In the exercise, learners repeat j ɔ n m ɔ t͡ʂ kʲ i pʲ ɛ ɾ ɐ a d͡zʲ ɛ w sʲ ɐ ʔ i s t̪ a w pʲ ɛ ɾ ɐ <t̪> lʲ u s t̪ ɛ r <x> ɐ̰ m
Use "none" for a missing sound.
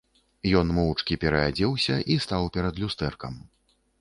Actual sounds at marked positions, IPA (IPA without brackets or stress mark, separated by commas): d̪, k